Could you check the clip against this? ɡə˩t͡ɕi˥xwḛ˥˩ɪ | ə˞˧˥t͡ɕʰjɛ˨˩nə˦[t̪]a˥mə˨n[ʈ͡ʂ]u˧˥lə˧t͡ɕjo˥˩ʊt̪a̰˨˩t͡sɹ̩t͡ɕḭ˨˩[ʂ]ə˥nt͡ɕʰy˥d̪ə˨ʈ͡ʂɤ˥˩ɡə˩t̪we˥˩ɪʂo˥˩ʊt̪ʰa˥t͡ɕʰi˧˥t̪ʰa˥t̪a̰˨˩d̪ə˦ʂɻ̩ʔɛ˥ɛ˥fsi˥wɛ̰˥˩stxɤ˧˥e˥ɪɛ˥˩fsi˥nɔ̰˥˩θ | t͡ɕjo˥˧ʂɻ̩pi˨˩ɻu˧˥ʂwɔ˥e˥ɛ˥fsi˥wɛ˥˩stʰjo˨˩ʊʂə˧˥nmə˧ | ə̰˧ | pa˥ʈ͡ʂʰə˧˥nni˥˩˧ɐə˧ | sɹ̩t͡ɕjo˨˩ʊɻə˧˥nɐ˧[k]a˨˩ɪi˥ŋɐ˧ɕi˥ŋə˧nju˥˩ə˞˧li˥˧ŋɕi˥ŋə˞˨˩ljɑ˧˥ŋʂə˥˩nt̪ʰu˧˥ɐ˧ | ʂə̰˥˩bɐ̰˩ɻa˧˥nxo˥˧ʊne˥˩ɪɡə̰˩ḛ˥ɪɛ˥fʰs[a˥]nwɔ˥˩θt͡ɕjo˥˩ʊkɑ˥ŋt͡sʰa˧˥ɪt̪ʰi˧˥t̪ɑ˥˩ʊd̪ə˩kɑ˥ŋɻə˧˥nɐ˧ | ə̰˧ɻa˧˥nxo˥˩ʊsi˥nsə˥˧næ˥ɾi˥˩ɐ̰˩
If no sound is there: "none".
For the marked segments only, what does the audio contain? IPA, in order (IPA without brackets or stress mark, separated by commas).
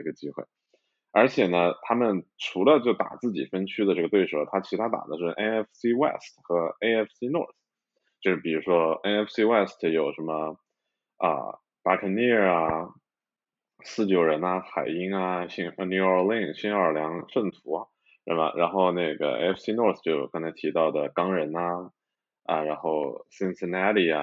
t̪ʰ, ʈ͡ʂʰ, f, x, i˥